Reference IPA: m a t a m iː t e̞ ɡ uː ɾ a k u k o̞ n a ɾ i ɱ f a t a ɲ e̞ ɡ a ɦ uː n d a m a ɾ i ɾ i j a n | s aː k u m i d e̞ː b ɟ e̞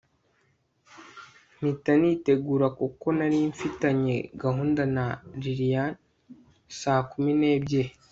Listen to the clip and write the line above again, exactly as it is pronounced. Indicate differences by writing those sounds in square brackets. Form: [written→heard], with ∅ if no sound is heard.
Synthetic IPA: m [a→i] t a [m→n] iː t e̞ ɡ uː ɾ a k u k o̞ n a ɾ i ɱ f [a→i] t a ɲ e̞ ɡ a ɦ uː n d a [m→n] a ɾ i ɾ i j a n | s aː k u m i [d→n] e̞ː b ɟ e̞